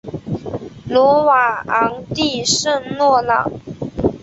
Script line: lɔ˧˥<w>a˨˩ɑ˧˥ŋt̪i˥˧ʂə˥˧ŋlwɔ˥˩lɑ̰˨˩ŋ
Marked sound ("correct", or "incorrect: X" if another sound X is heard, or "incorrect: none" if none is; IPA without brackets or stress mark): correct